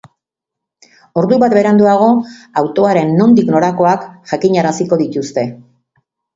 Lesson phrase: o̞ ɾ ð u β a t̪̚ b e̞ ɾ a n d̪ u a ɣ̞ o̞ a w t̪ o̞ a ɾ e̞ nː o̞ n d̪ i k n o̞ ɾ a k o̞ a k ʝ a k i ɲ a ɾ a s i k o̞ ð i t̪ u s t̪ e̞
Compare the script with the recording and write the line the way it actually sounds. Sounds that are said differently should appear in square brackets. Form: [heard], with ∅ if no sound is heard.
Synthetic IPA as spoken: o̞ ɾ ð u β a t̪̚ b e̞ ɾ a n d̪ u a ɣ̞ o̞ a w t̪ o̞ a ɾ e̞ nː o̞ n d̪ i k n o̞ ɾ a k o̞ a k ʝ a k i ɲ a ɾ a s i k o̞ ð i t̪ u s t̪ e̞